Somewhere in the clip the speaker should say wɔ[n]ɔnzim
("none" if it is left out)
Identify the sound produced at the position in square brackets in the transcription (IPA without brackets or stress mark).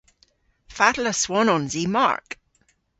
n